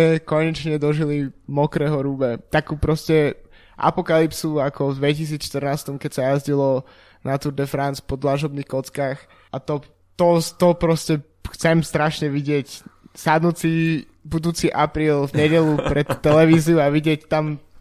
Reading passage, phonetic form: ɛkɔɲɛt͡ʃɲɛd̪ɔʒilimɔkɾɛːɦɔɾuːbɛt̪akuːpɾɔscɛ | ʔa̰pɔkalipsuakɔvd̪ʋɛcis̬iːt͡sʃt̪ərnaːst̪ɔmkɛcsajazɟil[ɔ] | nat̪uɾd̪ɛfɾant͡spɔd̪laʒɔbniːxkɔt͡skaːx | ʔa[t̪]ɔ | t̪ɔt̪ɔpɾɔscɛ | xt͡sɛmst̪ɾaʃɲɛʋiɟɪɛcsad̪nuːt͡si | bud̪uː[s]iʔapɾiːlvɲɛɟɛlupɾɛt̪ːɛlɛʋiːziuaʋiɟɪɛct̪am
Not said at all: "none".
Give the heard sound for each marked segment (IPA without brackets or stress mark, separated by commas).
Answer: ɔ, t̪, t͡s